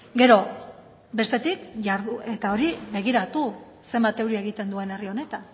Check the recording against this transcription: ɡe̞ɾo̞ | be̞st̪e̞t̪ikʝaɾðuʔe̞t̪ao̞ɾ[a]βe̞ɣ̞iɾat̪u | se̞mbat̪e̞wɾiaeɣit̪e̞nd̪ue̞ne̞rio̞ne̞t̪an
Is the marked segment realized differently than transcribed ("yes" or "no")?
yes